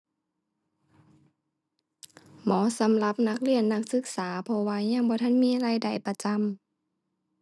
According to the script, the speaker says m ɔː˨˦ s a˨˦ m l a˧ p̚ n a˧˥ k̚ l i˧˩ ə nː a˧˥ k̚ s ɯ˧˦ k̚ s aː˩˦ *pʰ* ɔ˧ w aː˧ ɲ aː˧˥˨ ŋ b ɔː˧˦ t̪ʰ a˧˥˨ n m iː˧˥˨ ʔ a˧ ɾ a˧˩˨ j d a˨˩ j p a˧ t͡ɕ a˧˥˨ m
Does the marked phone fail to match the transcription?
no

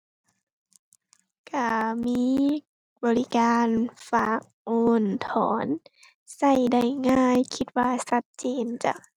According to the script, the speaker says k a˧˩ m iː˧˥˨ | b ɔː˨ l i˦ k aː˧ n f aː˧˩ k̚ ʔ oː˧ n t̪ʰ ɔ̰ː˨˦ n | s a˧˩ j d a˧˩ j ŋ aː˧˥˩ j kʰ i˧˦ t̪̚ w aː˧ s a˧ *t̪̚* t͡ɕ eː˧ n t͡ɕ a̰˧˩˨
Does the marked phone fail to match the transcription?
no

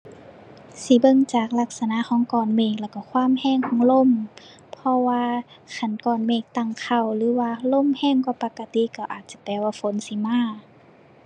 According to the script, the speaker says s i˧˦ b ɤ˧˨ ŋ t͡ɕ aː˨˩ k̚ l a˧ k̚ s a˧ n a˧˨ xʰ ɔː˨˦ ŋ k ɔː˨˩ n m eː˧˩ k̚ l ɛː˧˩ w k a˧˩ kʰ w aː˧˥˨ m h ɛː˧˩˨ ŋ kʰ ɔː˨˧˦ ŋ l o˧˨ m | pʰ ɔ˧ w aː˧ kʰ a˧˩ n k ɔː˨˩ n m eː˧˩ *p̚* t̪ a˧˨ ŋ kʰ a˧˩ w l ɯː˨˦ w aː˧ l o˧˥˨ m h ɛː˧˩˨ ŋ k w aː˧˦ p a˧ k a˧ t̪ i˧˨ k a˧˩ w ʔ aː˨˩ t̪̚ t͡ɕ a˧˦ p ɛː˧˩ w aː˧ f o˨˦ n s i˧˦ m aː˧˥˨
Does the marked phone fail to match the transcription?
yes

